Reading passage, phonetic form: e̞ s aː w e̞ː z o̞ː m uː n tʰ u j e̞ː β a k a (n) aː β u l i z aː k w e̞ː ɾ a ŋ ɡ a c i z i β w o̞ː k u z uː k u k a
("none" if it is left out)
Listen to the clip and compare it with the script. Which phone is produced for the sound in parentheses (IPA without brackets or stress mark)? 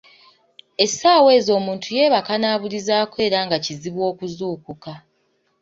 n